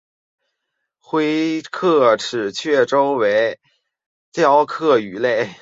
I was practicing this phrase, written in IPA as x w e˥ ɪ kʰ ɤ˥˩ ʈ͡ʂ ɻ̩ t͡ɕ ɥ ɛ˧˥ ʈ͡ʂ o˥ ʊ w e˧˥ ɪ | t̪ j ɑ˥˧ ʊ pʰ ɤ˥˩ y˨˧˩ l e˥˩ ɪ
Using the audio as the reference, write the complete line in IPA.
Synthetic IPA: x w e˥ ɪ kʰ ɤ˥˩ ʈ͡ʂʰ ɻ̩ t͡ɕʰ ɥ ɛ˥˩ ʈ͡ʂ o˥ ʊ w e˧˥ ɪ | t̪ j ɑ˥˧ ʊ kʰ ɤ˥˩ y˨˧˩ l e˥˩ ɪ